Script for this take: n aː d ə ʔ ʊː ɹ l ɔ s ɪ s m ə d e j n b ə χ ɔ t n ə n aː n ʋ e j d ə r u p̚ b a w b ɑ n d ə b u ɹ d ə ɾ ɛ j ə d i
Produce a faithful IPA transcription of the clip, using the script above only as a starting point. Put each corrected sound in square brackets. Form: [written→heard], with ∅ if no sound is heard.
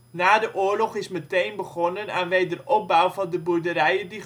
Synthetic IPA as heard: n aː d ə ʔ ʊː ɹ l ɔ [s→χ] ɪ s m ə [d→t] e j n b ə χ ɔ [t→∅] n ə n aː n ʋ e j d ə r [u→ɔ] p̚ b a w [b→v] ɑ n d ə b u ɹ d ə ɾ ɛ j ə d i